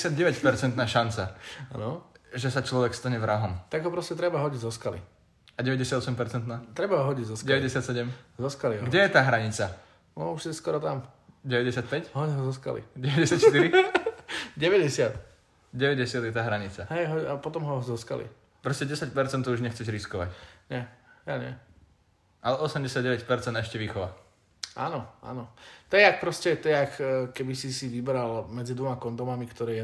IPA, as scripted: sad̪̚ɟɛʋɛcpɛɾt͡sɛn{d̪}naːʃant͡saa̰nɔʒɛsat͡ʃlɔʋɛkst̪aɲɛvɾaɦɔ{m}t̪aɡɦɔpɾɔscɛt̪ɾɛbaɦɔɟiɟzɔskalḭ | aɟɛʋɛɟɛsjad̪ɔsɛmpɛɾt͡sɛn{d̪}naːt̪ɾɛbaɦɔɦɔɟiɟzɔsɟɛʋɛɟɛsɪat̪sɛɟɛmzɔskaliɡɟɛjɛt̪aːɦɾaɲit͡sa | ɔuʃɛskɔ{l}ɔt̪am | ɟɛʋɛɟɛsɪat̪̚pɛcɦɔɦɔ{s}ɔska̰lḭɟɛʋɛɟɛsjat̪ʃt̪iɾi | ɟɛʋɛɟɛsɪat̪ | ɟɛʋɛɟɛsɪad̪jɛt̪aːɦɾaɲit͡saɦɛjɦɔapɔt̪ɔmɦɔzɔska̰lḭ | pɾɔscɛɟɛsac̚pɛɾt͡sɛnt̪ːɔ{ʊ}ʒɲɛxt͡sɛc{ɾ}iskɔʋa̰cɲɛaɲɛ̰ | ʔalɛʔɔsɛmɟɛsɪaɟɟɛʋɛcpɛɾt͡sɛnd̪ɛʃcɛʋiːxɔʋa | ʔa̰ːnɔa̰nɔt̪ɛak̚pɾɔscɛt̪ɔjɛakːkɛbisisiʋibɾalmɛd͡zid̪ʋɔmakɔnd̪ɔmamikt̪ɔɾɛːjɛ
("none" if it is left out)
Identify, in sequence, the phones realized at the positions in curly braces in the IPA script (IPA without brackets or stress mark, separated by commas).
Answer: t̪, m, t̪, ɾ, z, u, ɾ